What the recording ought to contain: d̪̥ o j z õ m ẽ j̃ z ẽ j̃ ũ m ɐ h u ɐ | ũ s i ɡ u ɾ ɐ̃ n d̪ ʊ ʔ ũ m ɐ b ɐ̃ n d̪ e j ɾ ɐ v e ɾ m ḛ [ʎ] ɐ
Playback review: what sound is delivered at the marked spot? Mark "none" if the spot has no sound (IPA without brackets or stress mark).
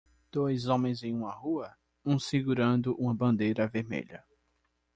ʎ